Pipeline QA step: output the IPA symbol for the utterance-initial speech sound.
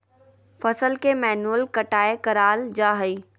f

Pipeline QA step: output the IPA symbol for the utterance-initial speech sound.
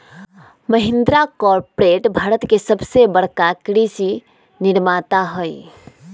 m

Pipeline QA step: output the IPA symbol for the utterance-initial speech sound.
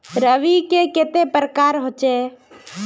ɾ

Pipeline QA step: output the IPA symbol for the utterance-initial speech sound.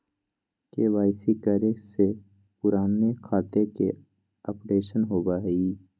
k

